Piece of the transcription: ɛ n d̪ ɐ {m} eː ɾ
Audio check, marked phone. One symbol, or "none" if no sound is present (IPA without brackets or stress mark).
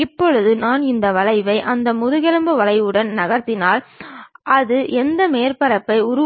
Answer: m